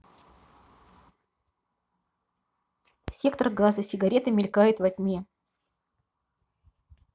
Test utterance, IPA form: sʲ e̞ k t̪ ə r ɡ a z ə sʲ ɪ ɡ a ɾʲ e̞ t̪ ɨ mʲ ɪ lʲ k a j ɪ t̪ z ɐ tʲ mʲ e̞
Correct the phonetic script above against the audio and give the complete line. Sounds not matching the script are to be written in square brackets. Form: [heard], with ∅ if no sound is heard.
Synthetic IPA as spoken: sʲ e̞ k t̪ ə r ɡ a z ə sʲ ɪ ɡ [ɐ] ɾʲ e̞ t̪ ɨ mʲ ɪ lʲ k a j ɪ t̪ [v] ɐ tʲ mʲ e̞